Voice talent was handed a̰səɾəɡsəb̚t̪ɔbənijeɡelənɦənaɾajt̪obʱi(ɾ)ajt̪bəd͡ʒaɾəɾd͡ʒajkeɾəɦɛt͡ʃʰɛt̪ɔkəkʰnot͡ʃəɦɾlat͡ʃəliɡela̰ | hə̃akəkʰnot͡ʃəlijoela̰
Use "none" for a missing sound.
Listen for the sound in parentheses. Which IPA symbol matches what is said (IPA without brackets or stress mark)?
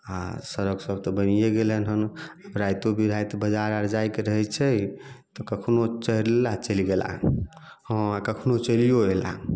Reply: ɾ